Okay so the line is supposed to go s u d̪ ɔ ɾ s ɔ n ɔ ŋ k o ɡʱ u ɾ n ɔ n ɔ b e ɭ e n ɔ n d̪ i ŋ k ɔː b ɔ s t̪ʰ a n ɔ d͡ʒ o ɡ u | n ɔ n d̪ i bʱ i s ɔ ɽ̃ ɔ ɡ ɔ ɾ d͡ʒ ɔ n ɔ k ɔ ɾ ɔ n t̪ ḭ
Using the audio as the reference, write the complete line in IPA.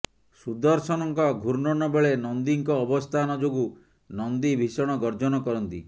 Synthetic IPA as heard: s u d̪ ɔ ɾ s ɔ n ɔ ŋ k ɔ ɡʱ u ɾ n ɔ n ɔ b e ɭ e n ɔ n d̪ i ŋ k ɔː b ɔ s t̪ʰ a n ɔ d͡ʒ o ɡ u | n ɔ n d̪ i bʱ i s ɔ ɽ̃ ɔ ɡ ɔ ɾ d͡ʒ ɔ n ɔ k ɔ ɾ ɔ n t̪ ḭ